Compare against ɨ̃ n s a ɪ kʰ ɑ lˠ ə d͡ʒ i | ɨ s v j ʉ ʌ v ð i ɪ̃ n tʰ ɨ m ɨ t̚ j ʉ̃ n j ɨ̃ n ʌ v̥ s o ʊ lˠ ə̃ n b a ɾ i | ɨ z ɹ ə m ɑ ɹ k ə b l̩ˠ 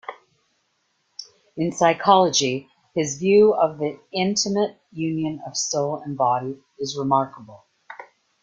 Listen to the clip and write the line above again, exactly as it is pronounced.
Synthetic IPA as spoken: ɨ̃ n s a ɪ kʰ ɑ lˠ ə d͡ʒ i | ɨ z v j ʉ ʌ v ð i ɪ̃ n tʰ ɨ m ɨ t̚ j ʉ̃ n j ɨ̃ n ʌ v̥ s o ʊ lˠ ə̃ n b ɑ ɾ i | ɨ z ɹ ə m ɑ ɹ k ə b l̩ˠ

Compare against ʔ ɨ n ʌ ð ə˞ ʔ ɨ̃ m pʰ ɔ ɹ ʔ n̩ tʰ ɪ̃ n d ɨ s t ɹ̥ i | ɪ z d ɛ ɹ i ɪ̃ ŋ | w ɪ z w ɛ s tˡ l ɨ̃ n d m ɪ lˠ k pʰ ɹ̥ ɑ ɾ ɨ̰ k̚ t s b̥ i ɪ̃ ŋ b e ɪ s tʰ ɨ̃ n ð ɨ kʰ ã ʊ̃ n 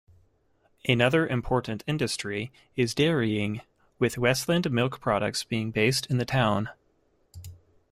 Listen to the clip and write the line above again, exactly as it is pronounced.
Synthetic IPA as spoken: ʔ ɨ n ʌ ð ə˞ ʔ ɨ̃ m pʰ ɔ ɹ ʔ n̩ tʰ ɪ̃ n d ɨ s t ɹ̥ i | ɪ z d ɛ ɹ i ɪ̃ ŋ | w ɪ ð w ɛ s tˡ l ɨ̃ n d m ɪ lˠ k pʰ ɹ̥ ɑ ɾ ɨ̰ k̚ t s b̥ i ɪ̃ ŋ b e ɪ s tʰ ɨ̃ n ð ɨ tʰ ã ʊ̃ n

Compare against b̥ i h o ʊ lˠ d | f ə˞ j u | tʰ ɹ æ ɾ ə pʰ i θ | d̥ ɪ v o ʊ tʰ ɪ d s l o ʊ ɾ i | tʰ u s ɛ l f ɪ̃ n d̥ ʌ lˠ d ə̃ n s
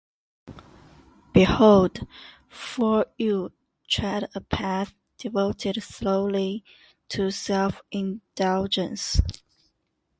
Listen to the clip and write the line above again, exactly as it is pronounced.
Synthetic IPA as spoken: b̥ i h o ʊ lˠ d | f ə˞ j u | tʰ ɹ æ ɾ ə pʰ æ θ | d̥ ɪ v o ʊ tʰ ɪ d s l o ʊ l i | tʰ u s ɛ l f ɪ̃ n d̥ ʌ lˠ d͡ʒ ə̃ n s

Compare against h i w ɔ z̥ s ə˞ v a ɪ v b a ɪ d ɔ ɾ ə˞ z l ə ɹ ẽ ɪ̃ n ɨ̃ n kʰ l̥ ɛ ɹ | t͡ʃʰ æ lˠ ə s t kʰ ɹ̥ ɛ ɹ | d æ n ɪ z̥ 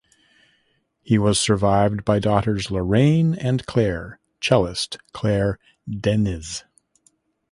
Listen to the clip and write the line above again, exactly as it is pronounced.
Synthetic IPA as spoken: h i w ʌ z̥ s ə˞ v a ɪ v b a ɪ d ɔ ɾ ə˞ z l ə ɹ ẽ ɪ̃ n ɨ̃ n kʰ l̥ ɛ ɹ | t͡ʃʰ ɛ lˠ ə s t kʰ l̥ ɛ ɹ | d ɛ n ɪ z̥

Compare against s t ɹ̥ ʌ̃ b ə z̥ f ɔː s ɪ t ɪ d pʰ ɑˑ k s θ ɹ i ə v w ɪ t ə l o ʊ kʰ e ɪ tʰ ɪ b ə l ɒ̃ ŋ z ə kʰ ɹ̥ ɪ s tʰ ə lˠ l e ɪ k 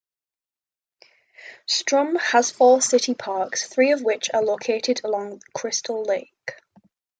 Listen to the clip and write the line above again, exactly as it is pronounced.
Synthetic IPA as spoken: s t ɹ̥ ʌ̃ m ə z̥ f ɔː s ɪ t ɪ pʰ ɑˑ k s θ ɹ iː ə v w ɪ t͡ʃ ə l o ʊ kʰ e ɪ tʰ ɪ d ə l ɒ̃ ŋ ð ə kʰ ɹ̥ ɪ s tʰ ə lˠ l e ɪ k

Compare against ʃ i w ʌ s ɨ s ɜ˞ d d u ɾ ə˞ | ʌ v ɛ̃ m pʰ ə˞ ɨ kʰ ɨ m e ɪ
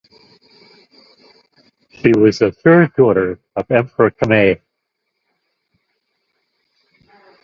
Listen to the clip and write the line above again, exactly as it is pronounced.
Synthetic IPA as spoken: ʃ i w ʌ z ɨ θ ɜ˞ d d ɔ ɾ ə˞ | ʌ v ɛ̃ m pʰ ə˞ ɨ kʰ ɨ m e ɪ

